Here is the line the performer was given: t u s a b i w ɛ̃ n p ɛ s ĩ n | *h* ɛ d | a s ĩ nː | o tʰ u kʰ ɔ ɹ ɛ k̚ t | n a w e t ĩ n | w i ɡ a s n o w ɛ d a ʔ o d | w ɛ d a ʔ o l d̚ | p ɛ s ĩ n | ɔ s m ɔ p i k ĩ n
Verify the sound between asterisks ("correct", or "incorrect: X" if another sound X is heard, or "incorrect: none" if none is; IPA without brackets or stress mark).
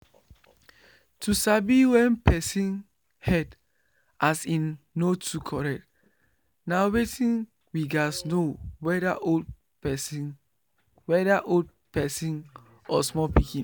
correct